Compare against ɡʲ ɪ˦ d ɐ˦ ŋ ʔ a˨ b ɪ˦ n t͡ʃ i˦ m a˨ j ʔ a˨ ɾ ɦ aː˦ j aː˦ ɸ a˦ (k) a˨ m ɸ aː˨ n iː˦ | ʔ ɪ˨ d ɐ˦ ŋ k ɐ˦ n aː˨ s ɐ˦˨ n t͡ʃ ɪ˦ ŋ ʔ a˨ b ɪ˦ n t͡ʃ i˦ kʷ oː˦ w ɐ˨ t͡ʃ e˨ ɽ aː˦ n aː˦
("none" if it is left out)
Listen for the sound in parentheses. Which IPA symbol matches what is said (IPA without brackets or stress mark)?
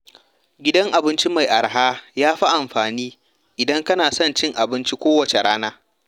ʔ